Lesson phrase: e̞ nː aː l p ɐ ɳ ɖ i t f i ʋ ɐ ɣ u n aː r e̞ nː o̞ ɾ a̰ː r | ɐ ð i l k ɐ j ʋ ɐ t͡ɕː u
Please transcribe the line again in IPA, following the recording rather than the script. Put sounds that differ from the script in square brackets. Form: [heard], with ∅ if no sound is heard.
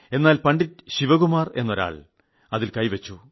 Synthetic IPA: e̞ nː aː l p ɐ ɳ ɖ i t [ɕ] i ʋ ɐ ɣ u [m] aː r e̞ nː o̞ ɾ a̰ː [ɭ] | ɐ ð i l k ɐ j ʋ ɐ t͡ɕː u